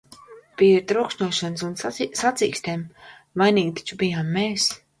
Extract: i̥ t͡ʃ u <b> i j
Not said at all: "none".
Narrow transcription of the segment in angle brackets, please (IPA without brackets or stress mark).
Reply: b